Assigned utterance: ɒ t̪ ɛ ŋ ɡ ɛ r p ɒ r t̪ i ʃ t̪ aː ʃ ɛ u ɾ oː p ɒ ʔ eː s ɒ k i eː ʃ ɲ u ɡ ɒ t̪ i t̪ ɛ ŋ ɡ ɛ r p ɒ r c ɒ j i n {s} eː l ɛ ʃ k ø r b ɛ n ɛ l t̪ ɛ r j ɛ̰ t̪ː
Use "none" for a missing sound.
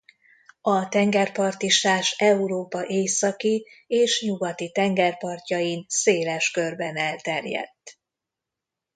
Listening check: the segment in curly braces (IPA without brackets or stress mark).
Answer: s